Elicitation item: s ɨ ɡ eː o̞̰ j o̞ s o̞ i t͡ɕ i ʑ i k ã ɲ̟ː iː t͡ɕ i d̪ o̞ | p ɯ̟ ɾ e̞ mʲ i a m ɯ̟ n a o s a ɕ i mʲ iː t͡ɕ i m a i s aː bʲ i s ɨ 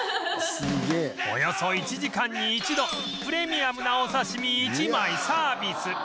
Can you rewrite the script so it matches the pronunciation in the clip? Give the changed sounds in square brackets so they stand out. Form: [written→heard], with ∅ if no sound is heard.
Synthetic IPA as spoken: s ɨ ɡ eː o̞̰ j o̞ s o̞ i t͡ɕ i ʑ i k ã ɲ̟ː iː t͡ɕ i d̪ o̞ | p ɯ̟ ɾ e̞ mʲ i a m ɯ̟ n a o s a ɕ i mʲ iː t͡ɕ i m a i s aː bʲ i s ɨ